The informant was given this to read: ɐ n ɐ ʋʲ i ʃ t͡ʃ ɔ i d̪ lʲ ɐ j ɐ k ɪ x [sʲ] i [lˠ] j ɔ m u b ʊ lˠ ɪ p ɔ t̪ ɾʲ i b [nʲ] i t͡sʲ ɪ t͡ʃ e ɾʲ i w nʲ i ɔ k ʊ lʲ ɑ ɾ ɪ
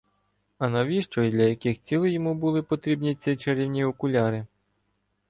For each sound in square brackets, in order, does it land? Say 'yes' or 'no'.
no, yes, yes

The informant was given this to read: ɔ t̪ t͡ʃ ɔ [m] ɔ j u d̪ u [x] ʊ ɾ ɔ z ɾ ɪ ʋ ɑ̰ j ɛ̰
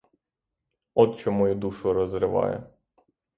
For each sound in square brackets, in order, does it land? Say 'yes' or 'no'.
yes, no

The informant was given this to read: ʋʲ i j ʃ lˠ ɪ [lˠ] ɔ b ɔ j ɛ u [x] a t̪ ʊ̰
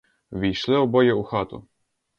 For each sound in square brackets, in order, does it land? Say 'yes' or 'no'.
no, yes

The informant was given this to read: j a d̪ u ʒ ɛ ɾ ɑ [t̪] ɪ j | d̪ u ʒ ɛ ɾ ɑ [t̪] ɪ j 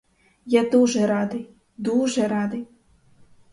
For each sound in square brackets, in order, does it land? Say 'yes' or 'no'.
no, no

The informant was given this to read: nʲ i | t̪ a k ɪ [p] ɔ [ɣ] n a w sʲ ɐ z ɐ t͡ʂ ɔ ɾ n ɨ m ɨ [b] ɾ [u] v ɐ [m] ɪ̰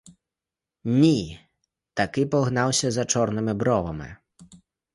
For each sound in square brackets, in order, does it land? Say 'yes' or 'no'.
yes, yes, yes, no, yes

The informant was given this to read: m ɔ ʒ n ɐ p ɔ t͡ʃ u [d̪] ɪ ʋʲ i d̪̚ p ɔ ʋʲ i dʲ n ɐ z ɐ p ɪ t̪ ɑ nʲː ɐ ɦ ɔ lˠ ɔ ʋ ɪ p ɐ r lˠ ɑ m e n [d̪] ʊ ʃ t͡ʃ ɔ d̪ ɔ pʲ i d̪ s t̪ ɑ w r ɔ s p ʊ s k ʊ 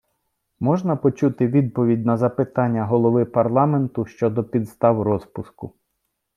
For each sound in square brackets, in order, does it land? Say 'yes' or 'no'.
no, no

